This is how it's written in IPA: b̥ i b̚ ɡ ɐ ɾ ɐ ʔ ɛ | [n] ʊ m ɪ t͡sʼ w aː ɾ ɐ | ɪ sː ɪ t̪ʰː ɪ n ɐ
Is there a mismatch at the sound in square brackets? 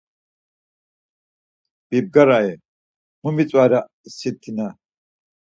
yes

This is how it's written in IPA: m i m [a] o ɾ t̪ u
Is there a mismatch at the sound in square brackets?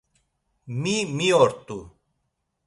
yes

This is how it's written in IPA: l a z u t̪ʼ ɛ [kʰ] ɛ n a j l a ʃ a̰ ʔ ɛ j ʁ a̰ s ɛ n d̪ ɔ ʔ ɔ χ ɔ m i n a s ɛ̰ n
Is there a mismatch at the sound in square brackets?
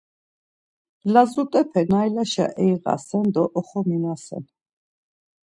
yes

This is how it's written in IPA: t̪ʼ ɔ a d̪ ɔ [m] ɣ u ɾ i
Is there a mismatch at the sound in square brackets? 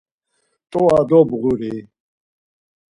yes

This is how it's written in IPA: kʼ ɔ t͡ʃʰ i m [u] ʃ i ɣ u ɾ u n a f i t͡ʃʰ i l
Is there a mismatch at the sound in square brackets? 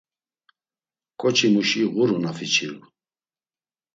no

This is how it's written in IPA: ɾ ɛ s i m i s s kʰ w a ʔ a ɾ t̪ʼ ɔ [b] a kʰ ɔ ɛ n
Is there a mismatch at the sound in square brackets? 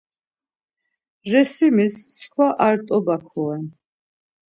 no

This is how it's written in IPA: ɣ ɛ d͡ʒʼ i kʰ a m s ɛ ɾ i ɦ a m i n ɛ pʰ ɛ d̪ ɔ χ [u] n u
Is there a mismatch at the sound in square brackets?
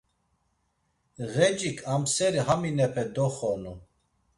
yes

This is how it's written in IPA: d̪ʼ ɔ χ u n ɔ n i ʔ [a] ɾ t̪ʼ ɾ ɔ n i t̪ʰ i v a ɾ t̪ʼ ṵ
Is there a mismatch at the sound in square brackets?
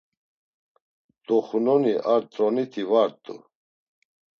no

